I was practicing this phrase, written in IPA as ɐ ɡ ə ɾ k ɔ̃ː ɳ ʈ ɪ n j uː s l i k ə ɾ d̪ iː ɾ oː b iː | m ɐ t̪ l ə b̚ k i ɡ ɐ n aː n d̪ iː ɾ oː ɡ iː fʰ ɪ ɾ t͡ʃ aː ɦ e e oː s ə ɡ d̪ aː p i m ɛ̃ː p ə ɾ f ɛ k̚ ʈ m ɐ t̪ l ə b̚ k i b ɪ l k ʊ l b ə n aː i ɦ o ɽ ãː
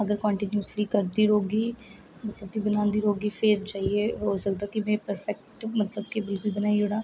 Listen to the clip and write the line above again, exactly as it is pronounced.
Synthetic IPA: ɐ ɡ ə ɾ k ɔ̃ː ɳ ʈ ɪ n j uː s l i k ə ɾ d̪ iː ɾ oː ɡ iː | m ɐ t̪ l ə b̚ k i b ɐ n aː n d̪ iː ɾ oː ɡ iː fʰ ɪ ɾ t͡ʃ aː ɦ i e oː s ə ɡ d̪ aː k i m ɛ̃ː p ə ɾ f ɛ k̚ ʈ m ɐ t̪ l ə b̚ k i b ɪ l k ʊ l b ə n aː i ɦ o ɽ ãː